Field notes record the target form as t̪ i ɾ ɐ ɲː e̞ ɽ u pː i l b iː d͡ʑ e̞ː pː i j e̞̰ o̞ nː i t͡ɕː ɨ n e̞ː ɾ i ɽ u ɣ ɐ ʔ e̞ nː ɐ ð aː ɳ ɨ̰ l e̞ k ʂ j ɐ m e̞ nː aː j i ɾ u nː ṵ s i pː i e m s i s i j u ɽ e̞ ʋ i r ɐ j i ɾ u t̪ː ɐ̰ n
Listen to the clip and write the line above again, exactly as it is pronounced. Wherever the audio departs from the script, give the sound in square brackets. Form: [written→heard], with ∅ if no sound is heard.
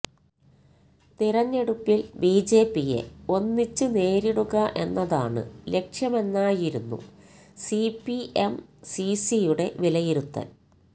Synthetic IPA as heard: t̪ i ɾ ɐ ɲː e̞ ɽ u pː i l b iː d͡ʑ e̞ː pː i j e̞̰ o̞ nː i t͡ɕː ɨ n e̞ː ɾ i ɽ u ɣ ɐ ʔ e̞ nː ɐ ð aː ɳ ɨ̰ l e̞ k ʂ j ɐ m e̞ nː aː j i ɾ u nː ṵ s i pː i e m s i s i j u ɽ e̞ ʋ i [r→l] ɐ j i ɾ u t̪ː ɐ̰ n

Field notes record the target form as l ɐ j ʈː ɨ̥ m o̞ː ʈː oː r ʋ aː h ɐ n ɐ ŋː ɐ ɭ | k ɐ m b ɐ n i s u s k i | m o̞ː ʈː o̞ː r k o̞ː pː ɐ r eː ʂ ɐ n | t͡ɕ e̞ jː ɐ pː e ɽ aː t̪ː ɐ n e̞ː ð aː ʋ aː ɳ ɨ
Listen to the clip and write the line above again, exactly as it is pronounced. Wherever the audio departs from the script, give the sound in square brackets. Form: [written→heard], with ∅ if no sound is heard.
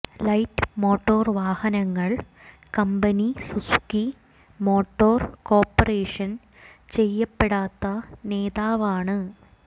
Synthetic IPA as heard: l ɐ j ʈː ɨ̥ m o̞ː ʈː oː r ʋ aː h ɐ n ɐ ŋː ɐ ɭ | k ɐ m b ɐ n i s u s k i | m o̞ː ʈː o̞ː r k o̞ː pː ɐ r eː ʂ ɐ n | t͡ɕ e̞ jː ɐ pː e ɽ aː t̪ː ɐ n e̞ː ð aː ʋ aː ɳ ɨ

